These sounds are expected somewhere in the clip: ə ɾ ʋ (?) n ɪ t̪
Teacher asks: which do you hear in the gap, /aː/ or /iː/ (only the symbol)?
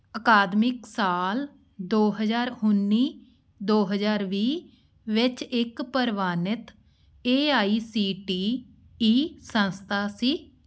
aː